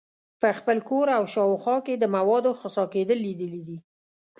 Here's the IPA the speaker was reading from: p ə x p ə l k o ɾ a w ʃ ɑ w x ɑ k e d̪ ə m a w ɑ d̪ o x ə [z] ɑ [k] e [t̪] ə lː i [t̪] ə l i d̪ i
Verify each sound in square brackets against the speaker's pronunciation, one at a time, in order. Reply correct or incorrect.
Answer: incorrect: s, correct, incorrect: d̪, incorrect: d̪

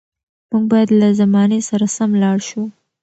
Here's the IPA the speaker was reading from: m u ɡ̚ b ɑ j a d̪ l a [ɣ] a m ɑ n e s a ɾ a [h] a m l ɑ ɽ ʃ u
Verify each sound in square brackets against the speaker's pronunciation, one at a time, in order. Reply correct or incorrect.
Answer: incorrect: z, incorrect: s

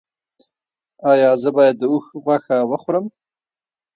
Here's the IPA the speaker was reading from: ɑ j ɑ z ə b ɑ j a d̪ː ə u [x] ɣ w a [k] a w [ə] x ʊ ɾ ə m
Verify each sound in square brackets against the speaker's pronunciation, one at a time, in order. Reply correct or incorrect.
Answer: correct, incorrect: x, correct

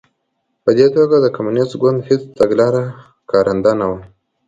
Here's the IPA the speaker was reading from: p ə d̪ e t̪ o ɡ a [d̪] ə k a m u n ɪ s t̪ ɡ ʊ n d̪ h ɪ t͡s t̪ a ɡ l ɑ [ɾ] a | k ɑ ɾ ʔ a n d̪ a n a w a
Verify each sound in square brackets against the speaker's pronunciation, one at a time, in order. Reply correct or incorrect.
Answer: correct, correct

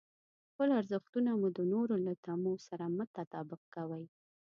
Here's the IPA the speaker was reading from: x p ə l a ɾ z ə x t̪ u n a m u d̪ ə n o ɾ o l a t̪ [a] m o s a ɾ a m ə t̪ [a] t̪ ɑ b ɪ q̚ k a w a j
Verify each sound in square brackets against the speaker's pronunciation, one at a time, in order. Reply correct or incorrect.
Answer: correct, correct

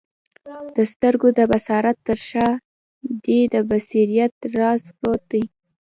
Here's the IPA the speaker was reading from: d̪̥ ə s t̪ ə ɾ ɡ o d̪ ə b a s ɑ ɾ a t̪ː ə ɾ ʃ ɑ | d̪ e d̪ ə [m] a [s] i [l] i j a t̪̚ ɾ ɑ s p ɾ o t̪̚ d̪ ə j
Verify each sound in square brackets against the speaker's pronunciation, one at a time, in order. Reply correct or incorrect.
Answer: incorrect: b, correct, incorrect: ɾ

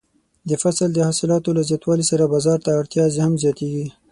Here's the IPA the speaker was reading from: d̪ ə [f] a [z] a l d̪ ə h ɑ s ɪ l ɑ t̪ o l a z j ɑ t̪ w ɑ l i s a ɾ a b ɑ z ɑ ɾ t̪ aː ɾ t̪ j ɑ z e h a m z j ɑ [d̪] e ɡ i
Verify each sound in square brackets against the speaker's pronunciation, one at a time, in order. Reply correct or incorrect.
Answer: correct, incorrect: s, incorrect: t̪

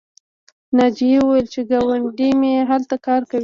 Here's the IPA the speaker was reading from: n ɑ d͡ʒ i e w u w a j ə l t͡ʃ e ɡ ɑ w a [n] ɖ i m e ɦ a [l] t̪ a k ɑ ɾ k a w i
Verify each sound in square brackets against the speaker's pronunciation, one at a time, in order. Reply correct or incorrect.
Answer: incorrect: ɳ, correct

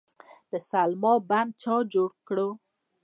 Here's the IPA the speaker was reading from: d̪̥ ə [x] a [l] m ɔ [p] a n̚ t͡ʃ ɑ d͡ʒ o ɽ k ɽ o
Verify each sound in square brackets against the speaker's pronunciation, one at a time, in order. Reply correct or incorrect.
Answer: incorrect: s, correct, incorrect: b

